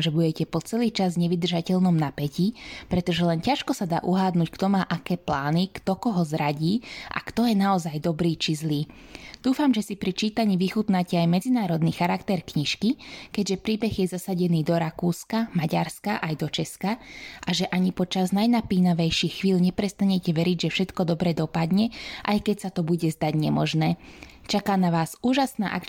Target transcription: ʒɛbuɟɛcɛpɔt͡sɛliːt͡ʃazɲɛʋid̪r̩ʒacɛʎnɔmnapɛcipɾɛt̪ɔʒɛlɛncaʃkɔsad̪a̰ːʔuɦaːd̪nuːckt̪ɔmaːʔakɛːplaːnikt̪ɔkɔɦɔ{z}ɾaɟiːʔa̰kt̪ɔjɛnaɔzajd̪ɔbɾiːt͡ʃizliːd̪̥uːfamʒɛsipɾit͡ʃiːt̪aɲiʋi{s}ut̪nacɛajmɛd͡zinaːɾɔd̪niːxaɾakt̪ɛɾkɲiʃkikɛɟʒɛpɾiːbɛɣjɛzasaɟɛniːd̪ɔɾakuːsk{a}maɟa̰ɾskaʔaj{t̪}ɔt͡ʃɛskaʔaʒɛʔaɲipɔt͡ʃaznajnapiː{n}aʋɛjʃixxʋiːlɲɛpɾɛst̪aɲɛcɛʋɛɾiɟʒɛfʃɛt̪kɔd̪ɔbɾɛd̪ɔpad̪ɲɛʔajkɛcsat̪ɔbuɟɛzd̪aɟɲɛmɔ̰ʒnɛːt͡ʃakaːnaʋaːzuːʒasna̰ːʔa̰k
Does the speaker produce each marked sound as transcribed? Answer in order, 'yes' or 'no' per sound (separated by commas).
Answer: yes, no, yes, no, yes